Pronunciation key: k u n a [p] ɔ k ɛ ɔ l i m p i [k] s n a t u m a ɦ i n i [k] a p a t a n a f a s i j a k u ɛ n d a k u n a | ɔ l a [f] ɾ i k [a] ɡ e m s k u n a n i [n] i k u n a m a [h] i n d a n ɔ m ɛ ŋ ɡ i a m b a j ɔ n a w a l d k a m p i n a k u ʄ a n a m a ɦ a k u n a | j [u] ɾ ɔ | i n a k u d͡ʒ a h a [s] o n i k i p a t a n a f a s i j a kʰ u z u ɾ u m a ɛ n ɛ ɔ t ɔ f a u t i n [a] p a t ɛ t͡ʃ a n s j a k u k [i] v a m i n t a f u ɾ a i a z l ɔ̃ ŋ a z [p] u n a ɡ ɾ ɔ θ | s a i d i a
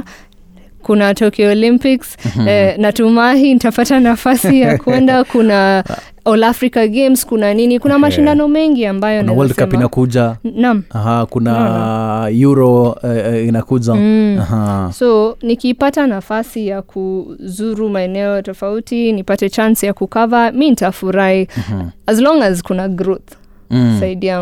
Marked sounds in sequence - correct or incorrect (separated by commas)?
incorrect, correct, incorrect, correct, correct, correct, incorrect, correct, correct, incorrect, incorrect, incorrect